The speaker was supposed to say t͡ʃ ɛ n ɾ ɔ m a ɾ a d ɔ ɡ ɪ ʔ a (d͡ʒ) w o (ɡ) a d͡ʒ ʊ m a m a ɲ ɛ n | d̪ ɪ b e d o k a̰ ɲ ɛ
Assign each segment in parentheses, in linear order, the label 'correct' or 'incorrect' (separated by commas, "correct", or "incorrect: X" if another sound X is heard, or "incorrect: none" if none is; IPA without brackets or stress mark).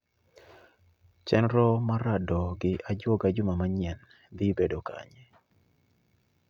correct, correct